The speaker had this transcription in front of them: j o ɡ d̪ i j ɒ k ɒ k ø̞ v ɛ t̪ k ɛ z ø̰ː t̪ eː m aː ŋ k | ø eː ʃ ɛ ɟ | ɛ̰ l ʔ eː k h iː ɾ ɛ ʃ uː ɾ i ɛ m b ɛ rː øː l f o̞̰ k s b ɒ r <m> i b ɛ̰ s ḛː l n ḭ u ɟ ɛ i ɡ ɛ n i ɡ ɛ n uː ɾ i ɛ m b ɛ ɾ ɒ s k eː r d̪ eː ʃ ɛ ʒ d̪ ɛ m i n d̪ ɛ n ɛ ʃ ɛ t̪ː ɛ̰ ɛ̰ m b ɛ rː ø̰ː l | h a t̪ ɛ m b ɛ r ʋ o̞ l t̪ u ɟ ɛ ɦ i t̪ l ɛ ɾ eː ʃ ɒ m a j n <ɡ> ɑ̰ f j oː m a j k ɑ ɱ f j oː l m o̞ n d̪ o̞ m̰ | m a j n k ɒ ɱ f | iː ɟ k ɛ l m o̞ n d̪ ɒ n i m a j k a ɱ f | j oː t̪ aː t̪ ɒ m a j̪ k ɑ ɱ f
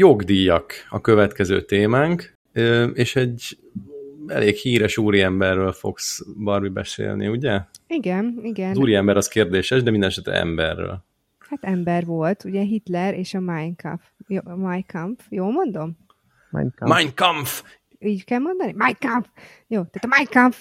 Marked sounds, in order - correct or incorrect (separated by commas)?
correct, incorrect